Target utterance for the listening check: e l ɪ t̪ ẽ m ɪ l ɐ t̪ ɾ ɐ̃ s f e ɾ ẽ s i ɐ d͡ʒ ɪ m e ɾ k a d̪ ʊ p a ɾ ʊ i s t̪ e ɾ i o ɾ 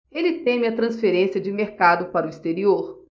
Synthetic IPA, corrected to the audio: e l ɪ t̪ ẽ m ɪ ɐ t̪ ɾ ɐ̃ s f e ɾ ẽ s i ɐ d͡ʒ ɪ m e ɾ k a d̪ ʊ p a ɾ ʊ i s t̪ e ɾ i o ɾ